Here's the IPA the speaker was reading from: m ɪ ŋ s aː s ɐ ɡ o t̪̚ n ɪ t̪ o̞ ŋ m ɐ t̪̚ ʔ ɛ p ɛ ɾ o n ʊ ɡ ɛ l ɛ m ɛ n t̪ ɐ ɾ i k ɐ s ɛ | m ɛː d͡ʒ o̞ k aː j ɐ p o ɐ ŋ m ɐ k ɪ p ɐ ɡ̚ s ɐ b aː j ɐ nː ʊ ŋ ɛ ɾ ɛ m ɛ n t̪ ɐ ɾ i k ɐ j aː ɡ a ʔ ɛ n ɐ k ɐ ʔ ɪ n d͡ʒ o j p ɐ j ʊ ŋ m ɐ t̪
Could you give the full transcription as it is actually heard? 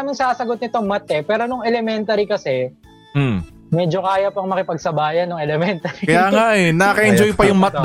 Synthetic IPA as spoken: m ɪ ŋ s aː s ɐ ɡ o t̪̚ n ɪ t̪ o̞ ŋ m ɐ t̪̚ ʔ ɛ p ɛː ɾ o n ʊ ŋ ɛ l ɛ m ɛ n t̪ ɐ ɾ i k ɐ s ɛ | m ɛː d͡ʒ o̞ k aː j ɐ p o ɐ ŋ m ɐ k ɪ p ɐ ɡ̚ s ɐ b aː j ɐ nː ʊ ŋ ɛ l ɛ m ɛ n t̪ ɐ ɾ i k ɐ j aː ŋ a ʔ ɛ n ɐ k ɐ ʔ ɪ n d͡ʒ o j p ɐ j ʊ ŋ m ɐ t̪